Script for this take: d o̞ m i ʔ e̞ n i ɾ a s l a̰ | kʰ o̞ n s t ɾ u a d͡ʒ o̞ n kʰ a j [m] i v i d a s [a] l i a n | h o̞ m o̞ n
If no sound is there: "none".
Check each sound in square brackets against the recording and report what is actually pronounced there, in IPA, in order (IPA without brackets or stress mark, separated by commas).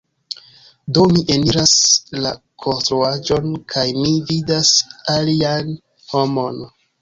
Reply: m, a